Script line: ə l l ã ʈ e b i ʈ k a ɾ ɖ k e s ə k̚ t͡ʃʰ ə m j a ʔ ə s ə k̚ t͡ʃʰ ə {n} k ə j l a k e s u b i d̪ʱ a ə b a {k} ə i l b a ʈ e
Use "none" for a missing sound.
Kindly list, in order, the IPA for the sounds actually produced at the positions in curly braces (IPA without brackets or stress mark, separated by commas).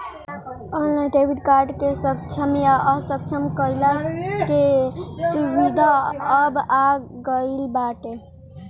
m, ɡ